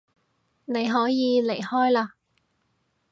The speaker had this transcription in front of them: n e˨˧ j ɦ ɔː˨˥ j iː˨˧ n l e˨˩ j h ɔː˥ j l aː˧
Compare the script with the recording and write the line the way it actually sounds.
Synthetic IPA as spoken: n e˨˧ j ɦ ɔː˨˥ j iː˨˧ l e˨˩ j h ɔː˥ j l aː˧

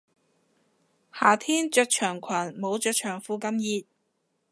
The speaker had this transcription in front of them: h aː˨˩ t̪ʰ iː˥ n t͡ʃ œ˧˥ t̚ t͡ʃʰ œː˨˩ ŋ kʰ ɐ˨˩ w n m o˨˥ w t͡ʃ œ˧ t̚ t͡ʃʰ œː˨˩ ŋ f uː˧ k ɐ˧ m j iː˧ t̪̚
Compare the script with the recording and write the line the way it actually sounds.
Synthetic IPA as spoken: h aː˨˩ t̪ʰ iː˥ n t͡ʃ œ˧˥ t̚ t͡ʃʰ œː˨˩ ŋ kʰ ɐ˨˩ n m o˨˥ w t͡ʃ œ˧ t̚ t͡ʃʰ œː˨˩ ŋ f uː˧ k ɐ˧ m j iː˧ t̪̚

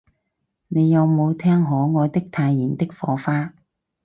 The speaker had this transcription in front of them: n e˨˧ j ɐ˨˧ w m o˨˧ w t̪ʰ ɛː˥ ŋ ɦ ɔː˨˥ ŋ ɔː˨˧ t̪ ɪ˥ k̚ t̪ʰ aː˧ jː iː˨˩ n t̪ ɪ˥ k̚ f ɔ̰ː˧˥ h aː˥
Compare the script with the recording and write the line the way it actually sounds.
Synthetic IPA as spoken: n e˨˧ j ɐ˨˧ w m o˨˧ w t̪ʰ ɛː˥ ŋ ɦ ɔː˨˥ ŋ ɔː˨˧ t̪ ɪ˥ k̚ t̪ʰ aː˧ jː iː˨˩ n t̪ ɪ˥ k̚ f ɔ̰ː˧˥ f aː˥

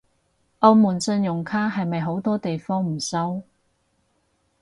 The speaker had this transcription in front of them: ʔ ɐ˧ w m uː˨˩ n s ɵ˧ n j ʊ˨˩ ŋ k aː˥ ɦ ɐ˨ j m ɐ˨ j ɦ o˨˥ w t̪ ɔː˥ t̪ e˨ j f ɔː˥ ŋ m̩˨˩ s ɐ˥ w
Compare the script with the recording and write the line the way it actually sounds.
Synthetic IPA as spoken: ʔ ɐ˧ w m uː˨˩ n s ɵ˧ n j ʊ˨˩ ŋ kʰ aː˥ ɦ ɐ˨ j m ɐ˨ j ɦ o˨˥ w t̪ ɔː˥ t̪ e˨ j f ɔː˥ ŋ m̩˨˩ s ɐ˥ w

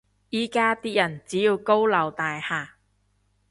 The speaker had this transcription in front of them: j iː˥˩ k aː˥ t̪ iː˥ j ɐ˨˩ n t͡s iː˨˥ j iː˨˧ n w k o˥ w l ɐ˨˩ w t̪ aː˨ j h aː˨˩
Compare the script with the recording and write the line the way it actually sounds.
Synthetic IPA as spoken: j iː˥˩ k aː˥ t̪ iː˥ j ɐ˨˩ n t͡s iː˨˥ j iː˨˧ w k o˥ w l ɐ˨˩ w t̪ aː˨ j h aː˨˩

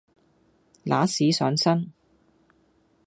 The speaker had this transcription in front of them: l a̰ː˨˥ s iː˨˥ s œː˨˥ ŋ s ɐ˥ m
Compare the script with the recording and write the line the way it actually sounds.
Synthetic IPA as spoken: l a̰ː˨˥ s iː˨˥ s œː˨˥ ŋ s ɐ˥ n

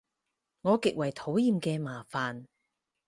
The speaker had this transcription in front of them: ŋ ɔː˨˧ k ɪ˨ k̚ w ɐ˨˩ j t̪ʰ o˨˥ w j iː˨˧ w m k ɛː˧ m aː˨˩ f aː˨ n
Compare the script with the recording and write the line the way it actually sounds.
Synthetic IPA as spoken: ŋ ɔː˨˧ k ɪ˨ k̚ w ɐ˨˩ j t̪ʰ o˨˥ w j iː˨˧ m k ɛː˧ m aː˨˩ f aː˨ n

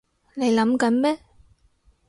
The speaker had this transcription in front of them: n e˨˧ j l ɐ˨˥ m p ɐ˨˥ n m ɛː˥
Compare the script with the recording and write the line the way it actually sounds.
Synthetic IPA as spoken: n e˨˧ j l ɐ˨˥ m k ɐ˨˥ n m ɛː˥

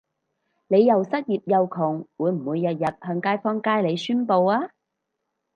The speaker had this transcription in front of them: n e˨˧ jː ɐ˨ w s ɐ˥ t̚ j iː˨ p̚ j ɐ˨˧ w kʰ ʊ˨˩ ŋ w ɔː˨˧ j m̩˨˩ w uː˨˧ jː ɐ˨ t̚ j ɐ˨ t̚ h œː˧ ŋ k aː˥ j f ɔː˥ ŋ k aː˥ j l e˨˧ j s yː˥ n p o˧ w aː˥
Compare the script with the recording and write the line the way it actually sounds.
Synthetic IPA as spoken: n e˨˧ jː ɐ˨ w s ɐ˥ t̚ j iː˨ p̚ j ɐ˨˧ w kʰ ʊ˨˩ ŋ w uː˨˧ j m̩˨˩ w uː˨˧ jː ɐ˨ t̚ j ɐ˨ t̚ h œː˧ ŋ k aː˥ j f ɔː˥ ŋ k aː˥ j l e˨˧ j s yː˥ n p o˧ w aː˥

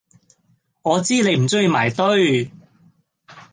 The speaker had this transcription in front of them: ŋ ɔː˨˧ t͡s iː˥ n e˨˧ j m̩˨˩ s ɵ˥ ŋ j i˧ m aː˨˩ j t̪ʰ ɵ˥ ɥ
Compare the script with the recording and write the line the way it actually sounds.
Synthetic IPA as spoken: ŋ ɔː˨˧ t͡s iː˥ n e˨˧ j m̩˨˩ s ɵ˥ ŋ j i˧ m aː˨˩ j t̪ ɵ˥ ɥ

